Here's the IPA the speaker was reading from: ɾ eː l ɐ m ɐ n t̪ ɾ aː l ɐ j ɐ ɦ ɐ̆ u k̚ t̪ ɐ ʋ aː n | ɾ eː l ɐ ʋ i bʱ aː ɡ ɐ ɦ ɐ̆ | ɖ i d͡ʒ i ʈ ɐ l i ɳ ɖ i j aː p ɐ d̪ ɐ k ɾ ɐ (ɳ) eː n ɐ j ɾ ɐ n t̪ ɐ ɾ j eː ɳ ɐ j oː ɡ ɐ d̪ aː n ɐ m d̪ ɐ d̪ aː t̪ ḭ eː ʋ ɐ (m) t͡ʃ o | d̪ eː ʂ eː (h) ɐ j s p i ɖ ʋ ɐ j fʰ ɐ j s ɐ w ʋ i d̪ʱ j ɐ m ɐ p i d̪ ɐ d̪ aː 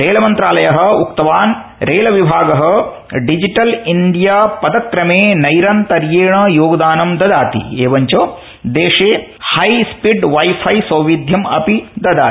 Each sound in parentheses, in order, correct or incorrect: incorrect, incorrect, correct

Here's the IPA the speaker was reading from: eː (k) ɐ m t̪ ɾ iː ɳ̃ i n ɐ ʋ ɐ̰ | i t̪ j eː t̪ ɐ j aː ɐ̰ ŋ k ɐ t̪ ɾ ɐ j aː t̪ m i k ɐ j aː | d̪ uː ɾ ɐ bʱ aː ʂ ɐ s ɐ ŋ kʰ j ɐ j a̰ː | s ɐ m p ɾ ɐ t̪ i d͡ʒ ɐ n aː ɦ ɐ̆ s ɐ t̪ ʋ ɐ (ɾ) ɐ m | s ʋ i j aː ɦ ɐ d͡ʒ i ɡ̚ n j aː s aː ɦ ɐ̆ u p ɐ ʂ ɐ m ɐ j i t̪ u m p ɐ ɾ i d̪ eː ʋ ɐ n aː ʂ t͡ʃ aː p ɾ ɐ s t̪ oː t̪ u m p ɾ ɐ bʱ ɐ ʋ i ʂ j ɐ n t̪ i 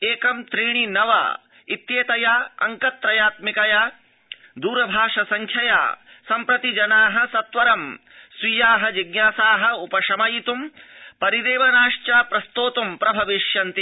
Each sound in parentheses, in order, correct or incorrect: correct, correct

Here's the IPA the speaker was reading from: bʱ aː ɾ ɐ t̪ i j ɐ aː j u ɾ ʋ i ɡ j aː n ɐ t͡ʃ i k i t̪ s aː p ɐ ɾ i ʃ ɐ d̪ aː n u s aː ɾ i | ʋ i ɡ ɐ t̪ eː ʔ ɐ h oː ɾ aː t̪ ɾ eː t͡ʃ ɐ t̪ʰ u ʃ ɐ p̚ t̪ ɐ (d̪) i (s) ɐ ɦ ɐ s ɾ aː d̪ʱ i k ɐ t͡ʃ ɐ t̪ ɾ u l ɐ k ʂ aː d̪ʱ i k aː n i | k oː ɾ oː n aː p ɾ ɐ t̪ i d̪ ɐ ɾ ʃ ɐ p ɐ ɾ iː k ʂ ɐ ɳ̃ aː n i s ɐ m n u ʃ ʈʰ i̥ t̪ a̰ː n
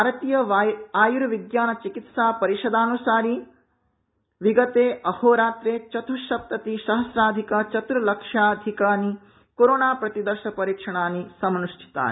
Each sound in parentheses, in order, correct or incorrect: incorrect, incorrect

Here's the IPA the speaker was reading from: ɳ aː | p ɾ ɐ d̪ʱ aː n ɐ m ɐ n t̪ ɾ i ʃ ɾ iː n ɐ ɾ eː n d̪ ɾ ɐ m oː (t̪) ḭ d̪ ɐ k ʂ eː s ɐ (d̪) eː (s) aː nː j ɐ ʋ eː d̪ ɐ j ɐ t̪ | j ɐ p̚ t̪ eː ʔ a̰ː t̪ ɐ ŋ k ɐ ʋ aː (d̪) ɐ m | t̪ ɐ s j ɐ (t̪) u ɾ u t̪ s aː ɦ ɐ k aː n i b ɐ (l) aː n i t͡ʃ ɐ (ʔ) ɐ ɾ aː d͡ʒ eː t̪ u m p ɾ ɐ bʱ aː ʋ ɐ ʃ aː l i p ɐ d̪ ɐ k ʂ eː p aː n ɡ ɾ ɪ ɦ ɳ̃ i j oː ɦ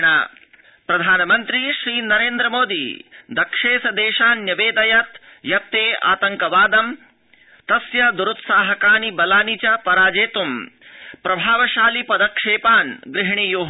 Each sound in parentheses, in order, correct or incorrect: incorrect, correct, incorrect, correct, incorrect, correct, incorrect

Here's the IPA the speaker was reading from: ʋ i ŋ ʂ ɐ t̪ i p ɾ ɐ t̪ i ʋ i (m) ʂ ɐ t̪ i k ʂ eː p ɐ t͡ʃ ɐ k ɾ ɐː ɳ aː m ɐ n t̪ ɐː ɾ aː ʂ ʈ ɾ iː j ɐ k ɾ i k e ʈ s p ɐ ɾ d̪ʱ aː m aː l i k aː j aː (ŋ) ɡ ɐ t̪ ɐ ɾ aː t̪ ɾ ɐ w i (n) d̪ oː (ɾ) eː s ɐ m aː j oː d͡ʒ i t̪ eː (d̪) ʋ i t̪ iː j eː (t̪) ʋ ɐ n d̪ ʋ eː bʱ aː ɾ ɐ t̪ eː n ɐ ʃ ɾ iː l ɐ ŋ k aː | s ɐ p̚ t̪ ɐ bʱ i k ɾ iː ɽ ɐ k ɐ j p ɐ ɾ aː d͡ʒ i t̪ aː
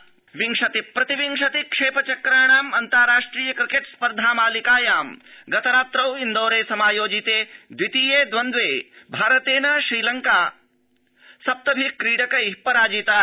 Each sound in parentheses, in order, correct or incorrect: incorrect, incorrect, correct, correct, correct, incorrect

